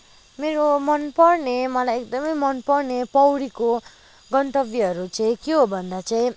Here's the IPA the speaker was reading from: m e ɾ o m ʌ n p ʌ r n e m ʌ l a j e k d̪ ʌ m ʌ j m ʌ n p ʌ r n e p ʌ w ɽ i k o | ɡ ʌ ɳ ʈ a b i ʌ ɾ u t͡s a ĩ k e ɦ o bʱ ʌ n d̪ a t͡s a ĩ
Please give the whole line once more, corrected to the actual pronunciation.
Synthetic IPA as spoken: m e ɾ o m ʌ n p ʌ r n e m ʌ l a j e k d̪ ʌ m ʌ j m ʌ n p ʌ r n e p ʌ w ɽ i k o | ɡ ʌ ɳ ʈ ʌ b i ʌ ɾ u t͡s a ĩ k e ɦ o bʱ ʌ n d̪ a t͡s a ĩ